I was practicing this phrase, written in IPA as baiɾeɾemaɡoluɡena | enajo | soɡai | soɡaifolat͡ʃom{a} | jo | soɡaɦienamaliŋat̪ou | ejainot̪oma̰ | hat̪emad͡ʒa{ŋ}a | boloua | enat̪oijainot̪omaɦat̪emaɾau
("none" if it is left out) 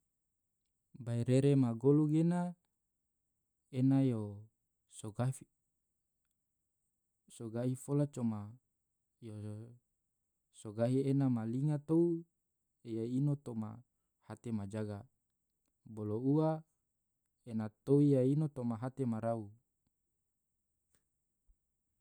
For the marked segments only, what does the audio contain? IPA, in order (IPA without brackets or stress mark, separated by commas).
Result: a, ɡ